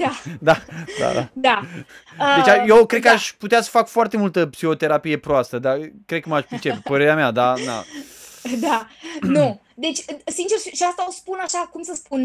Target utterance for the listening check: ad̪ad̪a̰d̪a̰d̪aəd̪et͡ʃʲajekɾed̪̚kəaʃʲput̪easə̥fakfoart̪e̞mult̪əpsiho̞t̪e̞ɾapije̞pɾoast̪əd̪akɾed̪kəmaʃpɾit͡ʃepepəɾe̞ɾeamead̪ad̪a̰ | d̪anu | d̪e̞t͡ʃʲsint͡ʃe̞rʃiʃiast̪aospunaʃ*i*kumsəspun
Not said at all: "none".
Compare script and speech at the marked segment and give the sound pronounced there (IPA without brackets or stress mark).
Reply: a